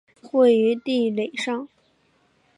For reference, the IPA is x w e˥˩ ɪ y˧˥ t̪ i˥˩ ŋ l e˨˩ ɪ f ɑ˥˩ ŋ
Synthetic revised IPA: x w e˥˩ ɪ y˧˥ t̪ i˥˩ l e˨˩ ɪ ʂ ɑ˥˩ ŋ